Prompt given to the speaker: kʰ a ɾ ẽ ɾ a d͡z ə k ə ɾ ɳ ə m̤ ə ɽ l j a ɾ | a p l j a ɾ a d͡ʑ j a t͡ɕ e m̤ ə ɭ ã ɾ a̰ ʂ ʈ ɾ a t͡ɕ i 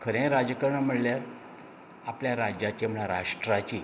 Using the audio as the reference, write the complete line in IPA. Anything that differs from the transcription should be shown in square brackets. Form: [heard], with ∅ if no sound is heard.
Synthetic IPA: kʰ [ə] ɾ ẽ ɾ a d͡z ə k ə ɾ ɳ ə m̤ ə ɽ l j a ɾ | a p l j a ɾ a d͡ʑ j a t͡ɕ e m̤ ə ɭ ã ɾ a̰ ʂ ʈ ɾ a t͡ɕ i